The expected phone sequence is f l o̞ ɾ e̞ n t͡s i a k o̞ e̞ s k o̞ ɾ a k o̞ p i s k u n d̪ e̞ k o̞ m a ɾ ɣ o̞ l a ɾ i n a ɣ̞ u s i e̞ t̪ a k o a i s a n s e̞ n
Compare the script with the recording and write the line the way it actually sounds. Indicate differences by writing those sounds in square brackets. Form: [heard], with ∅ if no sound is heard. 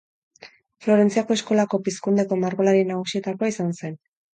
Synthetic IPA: f l o̞ ɾ e̞ n t͡s i a k o̞ e̞ s k o̞ [l] a k o̞ p i s k u n d̪ e̞ k o̞ m a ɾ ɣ o̞ l a ɾ i n a ɣ̞ u s i e̞ t̪ a k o a i s a n s e̞ n